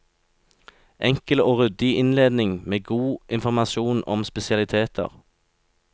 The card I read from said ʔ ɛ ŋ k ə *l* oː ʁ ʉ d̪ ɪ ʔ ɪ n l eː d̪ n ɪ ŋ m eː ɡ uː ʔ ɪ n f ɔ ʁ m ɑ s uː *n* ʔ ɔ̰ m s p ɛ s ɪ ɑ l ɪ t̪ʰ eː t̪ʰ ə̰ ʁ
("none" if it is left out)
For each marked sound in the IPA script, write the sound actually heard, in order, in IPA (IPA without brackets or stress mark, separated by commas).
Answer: l, n